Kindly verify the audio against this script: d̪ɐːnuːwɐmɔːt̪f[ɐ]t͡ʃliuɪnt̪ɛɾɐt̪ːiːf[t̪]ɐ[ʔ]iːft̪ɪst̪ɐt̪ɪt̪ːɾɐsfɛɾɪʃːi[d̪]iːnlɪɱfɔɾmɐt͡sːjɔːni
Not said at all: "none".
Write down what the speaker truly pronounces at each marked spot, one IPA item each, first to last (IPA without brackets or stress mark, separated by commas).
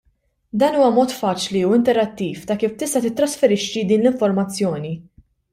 ɐː, t̪, k, d̪